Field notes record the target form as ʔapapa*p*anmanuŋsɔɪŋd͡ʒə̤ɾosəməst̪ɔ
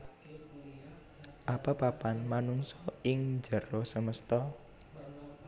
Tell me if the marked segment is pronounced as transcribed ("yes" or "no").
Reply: yes